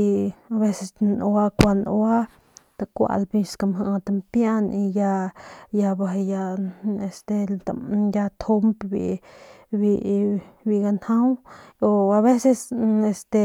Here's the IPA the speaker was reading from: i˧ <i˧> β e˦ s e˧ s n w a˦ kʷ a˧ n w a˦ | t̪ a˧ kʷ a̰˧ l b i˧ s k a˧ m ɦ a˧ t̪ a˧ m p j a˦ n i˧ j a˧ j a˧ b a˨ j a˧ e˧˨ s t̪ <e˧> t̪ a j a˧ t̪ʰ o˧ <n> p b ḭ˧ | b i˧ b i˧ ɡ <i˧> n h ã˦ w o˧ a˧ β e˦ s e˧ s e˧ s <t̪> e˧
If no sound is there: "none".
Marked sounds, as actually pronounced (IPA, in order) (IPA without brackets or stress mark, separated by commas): a˧, e˧, m, a˧, t̪